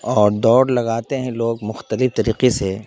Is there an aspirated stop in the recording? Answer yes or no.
no